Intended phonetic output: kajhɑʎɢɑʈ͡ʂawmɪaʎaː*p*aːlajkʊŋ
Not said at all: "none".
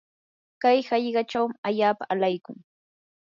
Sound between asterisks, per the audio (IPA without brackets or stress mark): p